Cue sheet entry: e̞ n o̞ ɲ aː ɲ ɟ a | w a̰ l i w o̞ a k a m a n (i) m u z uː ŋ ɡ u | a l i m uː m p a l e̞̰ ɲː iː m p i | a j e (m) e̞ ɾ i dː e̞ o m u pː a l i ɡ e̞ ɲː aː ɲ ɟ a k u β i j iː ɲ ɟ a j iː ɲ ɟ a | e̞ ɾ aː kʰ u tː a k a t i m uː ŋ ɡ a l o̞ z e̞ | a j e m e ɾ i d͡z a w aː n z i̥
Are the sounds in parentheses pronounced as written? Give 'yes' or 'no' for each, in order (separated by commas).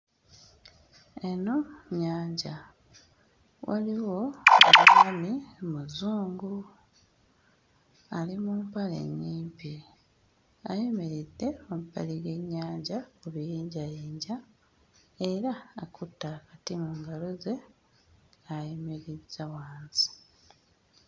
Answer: yes, yes